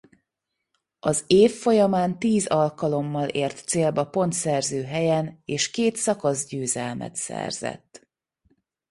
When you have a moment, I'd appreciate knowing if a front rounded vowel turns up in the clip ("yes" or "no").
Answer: yes